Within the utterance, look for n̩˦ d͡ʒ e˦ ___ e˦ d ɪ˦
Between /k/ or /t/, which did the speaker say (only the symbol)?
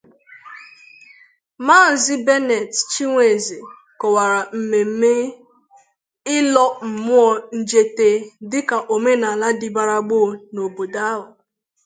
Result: t